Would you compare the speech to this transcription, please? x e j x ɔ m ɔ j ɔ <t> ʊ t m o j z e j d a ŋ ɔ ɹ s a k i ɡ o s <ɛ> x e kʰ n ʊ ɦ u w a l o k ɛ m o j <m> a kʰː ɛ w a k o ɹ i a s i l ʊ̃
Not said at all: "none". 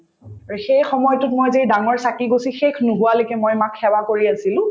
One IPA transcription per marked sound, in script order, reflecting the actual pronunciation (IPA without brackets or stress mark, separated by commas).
t, i, m